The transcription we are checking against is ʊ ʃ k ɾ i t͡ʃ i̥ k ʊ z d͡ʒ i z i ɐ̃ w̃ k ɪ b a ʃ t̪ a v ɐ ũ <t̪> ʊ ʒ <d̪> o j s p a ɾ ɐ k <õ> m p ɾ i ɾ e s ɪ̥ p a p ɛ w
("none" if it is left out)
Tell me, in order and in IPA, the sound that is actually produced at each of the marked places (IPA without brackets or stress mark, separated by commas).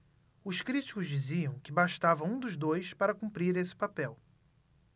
d̪, d̪, ũ